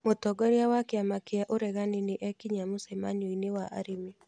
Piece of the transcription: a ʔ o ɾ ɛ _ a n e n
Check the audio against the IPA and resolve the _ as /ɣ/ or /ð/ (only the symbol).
ɣ